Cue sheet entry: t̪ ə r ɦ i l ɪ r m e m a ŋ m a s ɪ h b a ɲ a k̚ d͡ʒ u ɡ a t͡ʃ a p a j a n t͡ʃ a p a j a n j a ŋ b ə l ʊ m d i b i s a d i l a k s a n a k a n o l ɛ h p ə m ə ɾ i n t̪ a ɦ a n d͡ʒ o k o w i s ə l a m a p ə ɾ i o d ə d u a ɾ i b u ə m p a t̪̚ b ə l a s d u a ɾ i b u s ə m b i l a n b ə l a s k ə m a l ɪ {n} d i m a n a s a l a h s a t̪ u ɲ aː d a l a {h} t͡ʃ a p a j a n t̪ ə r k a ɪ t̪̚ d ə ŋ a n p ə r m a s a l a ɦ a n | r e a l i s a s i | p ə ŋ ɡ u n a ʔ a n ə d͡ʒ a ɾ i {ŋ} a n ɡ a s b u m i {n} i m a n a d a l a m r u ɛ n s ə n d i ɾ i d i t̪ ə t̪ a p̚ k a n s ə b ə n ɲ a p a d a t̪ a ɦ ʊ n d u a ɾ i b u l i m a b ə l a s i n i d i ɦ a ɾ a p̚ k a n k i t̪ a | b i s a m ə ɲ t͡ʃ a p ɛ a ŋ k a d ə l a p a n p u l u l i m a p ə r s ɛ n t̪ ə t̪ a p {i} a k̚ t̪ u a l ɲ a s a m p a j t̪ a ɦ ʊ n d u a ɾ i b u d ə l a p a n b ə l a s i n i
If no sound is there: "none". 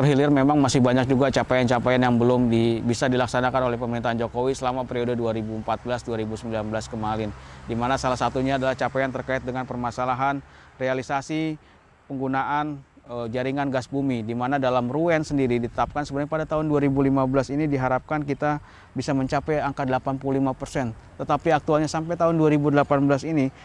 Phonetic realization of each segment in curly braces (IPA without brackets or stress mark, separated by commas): n, h, ŋ, d, i